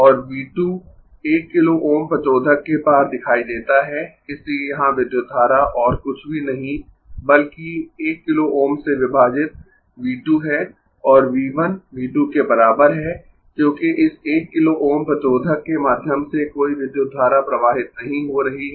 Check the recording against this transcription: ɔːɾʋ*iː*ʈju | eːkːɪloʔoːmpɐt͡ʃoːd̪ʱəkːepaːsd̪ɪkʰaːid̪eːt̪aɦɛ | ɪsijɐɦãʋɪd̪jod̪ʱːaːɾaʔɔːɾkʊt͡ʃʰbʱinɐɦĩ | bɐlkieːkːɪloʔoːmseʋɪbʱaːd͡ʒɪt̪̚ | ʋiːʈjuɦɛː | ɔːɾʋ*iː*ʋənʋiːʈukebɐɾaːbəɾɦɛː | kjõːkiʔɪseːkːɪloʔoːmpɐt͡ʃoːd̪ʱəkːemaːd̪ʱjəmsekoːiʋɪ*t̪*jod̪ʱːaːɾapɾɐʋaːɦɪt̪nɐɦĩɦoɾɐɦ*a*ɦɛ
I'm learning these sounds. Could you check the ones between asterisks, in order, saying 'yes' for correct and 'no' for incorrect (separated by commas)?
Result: yes, yes, no, no